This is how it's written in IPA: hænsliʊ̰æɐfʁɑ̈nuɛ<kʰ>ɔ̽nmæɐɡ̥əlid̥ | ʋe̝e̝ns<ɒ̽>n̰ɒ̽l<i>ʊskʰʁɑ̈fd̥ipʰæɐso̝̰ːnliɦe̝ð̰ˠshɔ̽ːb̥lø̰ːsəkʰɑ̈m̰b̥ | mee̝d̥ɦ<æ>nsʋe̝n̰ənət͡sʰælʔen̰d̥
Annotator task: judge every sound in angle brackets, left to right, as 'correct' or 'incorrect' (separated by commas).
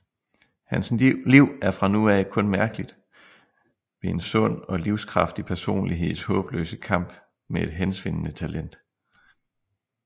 correct, incorrect, correct, incorrect